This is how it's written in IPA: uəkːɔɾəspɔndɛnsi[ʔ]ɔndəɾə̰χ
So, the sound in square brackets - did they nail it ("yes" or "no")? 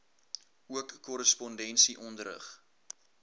yes